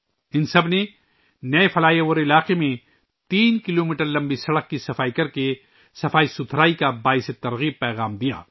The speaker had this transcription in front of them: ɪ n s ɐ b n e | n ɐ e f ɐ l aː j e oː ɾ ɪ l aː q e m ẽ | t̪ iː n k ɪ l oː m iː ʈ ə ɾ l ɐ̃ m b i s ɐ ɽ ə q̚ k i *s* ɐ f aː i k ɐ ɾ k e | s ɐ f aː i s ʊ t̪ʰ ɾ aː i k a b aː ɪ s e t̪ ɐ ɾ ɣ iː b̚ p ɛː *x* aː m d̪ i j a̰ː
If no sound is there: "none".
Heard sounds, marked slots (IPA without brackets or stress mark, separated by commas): s, ɣ